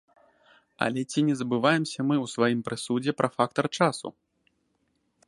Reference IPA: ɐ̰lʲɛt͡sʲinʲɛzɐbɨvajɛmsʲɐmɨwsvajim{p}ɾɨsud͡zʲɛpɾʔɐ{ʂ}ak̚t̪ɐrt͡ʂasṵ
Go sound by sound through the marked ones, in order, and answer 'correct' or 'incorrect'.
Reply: correct, incorrect: f

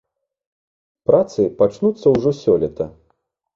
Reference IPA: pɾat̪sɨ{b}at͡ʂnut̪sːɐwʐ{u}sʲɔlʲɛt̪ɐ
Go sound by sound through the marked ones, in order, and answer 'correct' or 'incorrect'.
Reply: incorrect: p, incorrect: ɔ

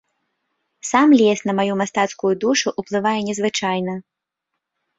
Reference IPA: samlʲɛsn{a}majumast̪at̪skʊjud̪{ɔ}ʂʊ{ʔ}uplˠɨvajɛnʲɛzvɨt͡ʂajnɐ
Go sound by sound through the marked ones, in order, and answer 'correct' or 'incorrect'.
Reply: incorrect: ɐ, incorrect: u, correct

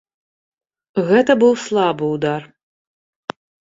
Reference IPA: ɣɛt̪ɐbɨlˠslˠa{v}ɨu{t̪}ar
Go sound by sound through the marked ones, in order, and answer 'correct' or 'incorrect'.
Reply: incorrect: b, incorrect: d̪

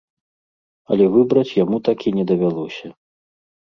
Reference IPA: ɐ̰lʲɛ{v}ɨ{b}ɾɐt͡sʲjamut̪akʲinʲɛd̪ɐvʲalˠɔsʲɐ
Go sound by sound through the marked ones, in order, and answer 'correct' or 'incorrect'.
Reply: correct, correct

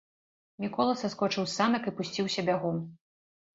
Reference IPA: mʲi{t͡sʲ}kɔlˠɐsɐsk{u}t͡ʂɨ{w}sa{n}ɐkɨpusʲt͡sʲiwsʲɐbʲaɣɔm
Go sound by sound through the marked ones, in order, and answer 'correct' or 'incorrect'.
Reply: incorrect: none, incorrect: ɔ, correct, correct

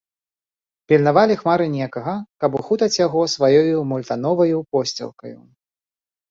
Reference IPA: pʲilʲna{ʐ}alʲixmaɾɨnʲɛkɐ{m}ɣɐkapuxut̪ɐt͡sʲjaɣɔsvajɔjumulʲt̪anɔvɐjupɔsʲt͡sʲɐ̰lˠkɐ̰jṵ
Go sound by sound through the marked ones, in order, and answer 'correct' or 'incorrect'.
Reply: incorrect: v, incorrect: none

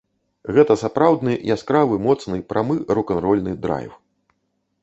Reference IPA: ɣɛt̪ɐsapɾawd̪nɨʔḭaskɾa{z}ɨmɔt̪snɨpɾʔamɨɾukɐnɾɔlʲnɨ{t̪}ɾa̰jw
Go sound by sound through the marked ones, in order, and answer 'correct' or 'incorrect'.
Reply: incorrect: v, incorrect: d̪

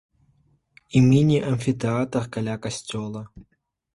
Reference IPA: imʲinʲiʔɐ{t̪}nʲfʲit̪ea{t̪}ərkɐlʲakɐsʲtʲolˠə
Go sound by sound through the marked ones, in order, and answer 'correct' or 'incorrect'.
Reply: incorrect: none, correct

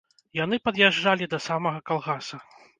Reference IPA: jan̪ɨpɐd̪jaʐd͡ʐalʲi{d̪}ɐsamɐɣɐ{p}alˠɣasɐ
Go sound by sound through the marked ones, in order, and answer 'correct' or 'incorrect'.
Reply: correct, incorrect: k

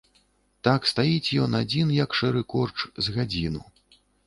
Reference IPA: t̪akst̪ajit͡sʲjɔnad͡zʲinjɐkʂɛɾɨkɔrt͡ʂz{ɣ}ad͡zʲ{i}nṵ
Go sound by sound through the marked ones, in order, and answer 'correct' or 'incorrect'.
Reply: correct, correct

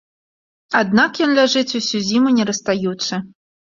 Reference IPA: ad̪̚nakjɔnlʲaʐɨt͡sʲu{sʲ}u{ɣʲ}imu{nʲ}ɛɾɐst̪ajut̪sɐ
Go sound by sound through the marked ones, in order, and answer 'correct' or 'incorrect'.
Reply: correct, incorrect: zʲ, correct

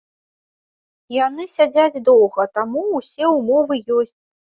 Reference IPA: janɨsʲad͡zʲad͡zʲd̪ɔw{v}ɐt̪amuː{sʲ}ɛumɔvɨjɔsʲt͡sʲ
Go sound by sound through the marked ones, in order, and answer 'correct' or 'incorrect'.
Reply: incorrect: ɣ, correct

